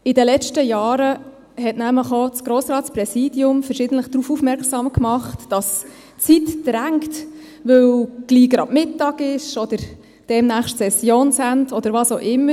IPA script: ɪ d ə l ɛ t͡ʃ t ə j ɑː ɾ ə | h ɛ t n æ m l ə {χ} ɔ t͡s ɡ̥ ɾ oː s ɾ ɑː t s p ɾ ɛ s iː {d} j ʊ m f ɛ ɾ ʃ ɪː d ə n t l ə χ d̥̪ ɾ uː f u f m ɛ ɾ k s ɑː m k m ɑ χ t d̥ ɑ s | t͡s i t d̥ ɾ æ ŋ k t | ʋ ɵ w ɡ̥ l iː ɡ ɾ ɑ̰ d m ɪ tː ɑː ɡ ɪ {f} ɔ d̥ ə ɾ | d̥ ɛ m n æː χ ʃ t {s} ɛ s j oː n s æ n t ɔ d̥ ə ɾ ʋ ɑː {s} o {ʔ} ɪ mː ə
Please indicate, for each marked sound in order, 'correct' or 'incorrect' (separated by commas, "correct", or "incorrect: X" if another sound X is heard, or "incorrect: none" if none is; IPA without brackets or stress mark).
correct, correct, incorrect: ʃ, correct, correct, correct